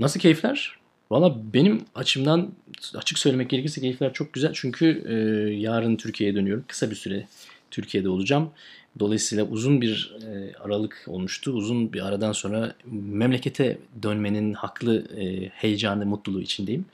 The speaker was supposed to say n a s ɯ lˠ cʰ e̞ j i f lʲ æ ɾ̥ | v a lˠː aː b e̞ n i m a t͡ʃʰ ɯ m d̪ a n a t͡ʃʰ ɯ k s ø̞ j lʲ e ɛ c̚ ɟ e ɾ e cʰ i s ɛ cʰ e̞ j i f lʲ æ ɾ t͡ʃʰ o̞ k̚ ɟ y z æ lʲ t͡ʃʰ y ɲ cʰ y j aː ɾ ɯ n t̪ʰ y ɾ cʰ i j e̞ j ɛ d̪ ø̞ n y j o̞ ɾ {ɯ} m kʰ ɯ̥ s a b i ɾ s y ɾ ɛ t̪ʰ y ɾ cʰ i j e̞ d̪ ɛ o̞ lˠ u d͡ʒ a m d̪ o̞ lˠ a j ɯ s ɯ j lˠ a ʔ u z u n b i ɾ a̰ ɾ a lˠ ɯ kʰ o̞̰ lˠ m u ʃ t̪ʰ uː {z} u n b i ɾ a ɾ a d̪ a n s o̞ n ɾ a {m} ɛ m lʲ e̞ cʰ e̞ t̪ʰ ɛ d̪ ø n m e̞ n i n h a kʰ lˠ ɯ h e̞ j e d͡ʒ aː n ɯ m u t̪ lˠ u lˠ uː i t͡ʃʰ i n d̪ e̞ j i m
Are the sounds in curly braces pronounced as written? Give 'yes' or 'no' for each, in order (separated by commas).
no, yes, yes